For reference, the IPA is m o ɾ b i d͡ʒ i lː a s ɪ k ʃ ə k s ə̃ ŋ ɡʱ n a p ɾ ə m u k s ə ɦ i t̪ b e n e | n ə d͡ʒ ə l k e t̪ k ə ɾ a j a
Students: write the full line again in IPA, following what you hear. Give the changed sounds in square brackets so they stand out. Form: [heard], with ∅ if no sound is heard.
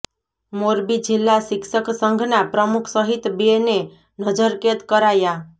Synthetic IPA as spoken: m o ɾ b i d͡ʒ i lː a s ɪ k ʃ ə k s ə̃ ŋ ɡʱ n a p ɾ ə m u [kʰ] s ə ɦ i t̪ b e n e | n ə d͡ʒ ə [ɾ] k e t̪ k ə ɾ a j a